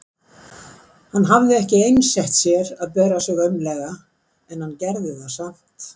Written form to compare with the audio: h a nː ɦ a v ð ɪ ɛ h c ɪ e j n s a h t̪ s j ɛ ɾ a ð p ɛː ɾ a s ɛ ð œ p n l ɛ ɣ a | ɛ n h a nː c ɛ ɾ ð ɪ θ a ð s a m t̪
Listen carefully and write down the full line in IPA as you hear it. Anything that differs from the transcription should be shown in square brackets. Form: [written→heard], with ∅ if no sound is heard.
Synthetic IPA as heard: h a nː ɦ a v ð ɪ ɛ h c ɪ e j n s [a→ɛ] h t̪ s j ɛ ɾ a ð p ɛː ɾ a s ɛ [ð→ɣ] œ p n l ɛ ɣ a | ɛ n h a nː c ɛ ɾ ð ɪ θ a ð s a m t̪